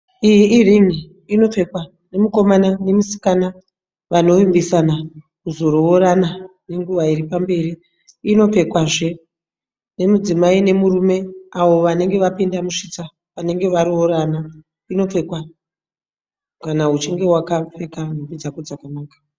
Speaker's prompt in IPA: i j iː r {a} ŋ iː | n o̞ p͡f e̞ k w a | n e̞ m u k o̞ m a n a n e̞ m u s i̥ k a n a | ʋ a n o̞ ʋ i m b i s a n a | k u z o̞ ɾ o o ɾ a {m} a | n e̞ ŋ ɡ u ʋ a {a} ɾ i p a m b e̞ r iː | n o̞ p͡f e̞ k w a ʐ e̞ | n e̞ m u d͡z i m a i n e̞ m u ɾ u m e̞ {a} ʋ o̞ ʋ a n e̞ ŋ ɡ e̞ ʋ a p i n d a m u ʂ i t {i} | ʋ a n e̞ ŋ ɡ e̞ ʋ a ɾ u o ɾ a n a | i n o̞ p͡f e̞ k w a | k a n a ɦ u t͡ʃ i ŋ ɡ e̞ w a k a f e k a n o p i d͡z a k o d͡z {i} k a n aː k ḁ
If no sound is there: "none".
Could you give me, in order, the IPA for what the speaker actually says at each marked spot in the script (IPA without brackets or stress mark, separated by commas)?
i, n, i, a, a, a